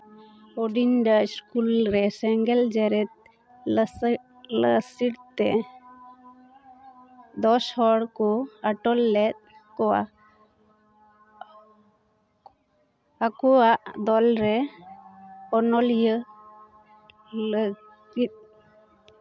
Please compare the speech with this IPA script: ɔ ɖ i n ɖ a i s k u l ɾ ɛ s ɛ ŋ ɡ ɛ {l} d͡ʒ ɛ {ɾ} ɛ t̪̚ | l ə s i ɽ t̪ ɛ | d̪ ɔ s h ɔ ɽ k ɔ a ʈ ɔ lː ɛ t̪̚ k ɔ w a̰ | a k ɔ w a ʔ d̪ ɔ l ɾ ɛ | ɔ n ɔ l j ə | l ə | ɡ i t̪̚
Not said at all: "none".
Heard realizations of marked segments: l, ɾ

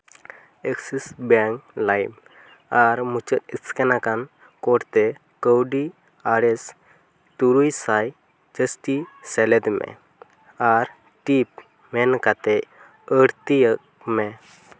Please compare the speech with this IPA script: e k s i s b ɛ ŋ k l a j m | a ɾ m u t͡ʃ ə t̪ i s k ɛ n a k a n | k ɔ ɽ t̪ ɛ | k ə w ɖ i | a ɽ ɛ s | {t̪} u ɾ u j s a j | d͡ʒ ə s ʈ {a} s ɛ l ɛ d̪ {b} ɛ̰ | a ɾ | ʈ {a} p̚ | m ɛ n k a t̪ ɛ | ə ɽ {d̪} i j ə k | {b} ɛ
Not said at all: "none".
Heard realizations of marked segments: t̪, i, m, i, t̪, m

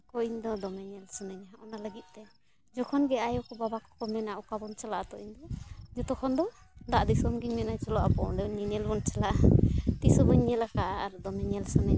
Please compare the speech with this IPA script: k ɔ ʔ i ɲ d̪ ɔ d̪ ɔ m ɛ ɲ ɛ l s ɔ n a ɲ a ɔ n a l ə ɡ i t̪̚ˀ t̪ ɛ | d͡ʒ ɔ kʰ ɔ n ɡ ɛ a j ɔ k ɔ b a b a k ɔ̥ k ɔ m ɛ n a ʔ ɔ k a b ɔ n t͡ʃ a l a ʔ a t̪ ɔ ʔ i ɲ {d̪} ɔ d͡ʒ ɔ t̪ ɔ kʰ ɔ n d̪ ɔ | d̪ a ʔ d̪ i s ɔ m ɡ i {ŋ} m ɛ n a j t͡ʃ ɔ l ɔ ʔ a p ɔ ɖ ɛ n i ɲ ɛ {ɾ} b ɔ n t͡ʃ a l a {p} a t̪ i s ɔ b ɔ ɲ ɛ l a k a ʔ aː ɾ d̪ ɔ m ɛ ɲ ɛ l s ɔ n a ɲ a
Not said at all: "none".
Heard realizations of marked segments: d̪, ɲ, l, ʔ

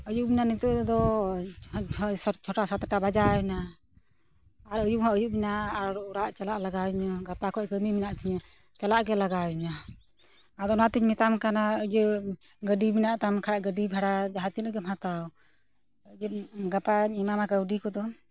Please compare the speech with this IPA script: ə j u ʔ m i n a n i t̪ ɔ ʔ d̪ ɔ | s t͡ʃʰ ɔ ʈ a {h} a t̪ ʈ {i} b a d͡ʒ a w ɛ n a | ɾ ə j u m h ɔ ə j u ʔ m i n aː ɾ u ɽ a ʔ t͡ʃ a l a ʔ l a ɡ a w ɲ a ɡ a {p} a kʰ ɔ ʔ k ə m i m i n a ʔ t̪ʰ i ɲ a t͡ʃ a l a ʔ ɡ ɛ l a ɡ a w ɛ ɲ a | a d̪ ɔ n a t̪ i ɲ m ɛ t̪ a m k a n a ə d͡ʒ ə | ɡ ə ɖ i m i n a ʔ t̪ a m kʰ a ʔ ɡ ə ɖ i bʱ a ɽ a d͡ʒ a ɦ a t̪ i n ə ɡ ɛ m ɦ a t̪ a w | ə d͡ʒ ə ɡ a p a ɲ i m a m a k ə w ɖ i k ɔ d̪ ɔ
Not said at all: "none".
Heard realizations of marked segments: s, a, p

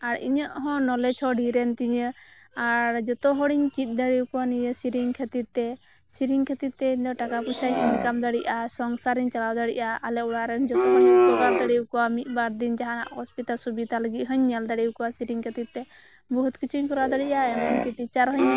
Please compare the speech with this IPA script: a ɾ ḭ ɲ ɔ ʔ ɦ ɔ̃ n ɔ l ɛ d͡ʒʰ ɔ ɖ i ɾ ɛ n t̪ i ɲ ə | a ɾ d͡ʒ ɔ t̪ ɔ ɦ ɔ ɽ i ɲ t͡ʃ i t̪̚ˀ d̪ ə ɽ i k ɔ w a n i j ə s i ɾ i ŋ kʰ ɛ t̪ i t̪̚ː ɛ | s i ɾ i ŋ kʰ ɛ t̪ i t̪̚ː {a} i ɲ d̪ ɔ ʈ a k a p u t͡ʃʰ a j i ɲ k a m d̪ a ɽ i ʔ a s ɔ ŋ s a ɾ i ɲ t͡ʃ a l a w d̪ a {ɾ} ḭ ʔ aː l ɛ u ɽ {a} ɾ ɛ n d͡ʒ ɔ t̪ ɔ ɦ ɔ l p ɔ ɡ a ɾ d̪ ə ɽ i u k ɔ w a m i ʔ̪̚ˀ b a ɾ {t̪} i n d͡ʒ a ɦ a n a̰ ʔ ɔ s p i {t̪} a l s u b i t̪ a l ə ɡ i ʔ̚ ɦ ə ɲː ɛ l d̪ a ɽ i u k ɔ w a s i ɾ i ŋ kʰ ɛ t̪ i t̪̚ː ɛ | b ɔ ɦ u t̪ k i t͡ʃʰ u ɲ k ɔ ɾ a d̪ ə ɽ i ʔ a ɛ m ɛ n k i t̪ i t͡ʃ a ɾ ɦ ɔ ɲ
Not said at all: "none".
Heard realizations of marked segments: ɛ, ɽ, a, d̪, t̪

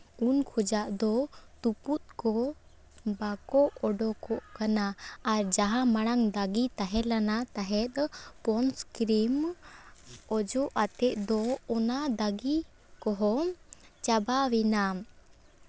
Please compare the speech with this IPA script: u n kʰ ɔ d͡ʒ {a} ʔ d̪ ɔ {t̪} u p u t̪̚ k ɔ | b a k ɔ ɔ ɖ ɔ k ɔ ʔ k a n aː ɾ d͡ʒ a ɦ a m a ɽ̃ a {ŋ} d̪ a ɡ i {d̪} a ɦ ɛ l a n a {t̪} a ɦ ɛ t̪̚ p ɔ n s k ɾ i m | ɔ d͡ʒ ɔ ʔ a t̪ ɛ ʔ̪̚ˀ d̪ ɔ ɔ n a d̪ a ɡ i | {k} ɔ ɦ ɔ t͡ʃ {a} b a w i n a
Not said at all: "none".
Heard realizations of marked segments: a, t̪, ŋ, t̪, t̪, k, a

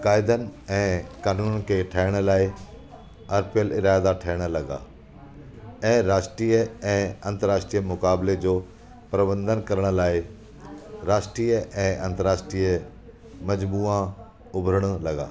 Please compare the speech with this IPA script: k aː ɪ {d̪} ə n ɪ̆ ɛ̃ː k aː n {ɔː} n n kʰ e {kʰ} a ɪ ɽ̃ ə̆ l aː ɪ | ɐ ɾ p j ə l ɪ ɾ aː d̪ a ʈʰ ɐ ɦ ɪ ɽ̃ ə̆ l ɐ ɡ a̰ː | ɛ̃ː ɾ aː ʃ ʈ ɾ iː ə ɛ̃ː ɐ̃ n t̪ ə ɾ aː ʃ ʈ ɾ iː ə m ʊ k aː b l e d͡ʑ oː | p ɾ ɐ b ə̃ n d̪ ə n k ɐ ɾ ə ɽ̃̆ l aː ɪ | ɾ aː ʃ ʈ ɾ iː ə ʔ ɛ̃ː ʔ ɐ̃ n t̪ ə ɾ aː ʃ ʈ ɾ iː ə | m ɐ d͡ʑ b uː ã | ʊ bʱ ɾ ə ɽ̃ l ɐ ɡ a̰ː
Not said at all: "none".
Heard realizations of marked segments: d̪, uː, ʈʰ

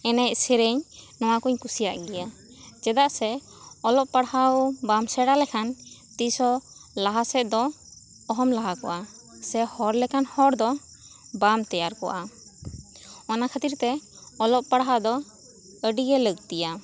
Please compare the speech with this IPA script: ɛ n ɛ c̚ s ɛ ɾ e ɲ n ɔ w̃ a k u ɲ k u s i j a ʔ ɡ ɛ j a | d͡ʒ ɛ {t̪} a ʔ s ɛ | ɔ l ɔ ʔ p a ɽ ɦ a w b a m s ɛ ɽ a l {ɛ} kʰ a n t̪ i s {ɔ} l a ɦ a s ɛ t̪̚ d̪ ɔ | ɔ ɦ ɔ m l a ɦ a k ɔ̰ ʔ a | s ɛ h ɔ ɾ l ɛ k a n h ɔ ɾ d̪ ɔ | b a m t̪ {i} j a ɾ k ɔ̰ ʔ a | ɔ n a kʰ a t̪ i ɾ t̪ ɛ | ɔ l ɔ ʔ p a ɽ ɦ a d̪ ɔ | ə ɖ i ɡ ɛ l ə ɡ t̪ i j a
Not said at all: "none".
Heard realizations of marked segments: d̪, ɛ, ɔ, ɛ

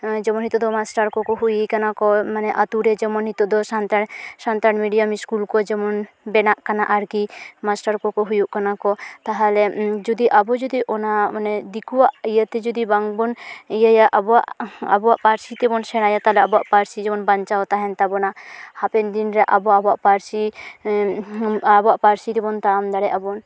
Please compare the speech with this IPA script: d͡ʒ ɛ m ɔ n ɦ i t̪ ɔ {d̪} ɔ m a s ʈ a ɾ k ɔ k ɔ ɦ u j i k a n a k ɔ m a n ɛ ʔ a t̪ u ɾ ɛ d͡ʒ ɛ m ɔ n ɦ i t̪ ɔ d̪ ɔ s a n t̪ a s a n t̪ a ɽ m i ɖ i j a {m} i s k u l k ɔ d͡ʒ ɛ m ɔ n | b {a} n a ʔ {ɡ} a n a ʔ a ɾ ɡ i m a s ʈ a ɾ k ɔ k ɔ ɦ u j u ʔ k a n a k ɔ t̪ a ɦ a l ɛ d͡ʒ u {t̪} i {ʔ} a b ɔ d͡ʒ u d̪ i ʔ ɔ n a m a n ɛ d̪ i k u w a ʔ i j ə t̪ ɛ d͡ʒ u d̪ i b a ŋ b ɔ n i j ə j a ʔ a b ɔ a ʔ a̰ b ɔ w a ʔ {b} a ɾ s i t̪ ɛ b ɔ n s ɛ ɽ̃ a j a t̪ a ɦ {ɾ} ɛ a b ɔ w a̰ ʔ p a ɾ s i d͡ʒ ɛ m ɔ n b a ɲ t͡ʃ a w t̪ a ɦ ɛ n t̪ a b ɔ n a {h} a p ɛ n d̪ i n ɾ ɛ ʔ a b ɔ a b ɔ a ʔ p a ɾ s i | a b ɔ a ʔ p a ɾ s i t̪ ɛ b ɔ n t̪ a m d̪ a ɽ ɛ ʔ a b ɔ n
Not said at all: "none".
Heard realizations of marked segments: d̪, m, ɛ, k, d̪, ʔ, p, l, h

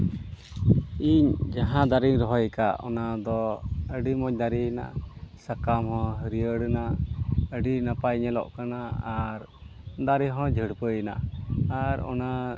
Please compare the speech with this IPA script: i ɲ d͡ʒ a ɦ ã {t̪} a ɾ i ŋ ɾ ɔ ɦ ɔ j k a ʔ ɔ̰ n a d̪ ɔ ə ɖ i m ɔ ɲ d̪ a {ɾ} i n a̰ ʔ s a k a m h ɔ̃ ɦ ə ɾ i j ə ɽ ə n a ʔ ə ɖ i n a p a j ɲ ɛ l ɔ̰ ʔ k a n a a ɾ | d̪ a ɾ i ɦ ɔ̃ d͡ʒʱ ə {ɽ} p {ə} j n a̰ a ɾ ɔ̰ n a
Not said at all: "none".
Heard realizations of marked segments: d̪, ɾ, ɽ, ə

